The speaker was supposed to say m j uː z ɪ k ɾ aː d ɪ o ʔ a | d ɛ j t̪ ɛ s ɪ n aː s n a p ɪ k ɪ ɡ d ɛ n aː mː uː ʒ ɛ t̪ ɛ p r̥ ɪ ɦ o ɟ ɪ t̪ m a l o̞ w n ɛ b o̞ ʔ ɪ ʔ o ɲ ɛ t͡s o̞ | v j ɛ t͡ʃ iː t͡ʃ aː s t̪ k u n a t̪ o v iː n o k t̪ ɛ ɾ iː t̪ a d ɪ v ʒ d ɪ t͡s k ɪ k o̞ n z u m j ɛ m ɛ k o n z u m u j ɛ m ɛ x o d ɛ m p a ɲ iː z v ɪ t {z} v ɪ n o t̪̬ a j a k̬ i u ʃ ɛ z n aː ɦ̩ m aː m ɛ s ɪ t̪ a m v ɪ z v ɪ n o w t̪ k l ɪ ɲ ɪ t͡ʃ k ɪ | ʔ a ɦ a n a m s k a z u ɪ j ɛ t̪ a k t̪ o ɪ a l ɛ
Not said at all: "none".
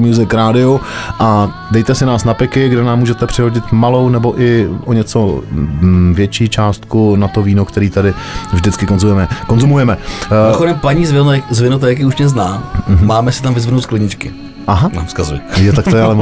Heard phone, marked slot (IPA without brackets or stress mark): z